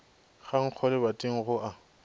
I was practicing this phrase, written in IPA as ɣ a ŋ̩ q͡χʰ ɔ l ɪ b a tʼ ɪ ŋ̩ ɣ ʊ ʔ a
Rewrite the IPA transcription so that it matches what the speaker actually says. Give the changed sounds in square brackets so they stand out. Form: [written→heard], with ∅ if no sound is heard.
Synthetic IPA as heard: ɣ a ŋ̩ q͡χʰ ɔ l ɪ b a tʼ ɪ ŋ̩ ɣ ʊ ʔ a